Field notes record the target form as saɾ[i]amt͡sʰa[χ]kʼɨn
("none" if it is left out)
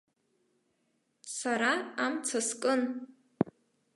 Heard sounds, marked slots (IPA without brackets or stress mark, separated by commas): a, s